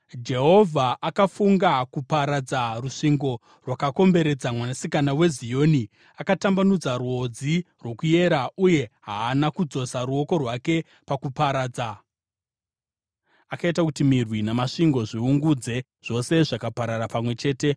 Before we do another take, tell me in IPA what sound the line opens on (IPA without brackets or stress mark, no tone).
d͡ʒ